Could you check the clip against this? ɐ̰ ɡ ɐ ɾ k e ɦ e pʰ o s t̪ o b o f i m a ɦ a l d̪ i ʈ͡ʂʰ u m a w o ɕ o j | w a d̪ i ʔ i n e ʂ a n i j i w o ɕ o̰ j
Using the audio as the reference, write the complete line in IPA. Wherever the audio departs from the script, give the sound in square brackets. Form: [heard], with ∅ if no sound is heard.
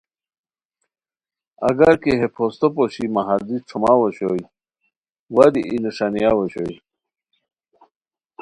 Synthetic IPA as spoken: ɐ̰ ɡ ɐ ɾ k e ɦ e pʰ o s t̪ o [p] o [ɕ] i m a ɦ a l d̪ i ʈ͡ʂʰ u m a w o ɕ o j | w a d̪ i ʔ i n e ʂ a n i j [a] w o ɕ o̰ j